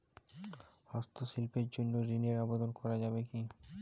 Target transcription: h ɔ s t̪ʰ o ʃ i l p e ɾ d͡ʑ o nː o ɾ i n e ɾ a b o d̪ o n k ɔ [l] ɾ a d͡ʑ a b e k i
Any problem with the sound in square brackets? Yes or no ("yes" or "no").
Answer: yes